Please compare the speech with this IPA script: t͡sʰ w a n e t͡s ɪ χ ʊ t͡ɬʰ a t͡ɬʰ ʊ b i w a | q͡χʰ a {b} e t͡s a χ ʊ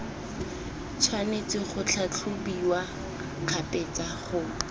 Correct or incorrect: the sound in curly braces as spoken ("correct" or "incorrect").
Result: incorrect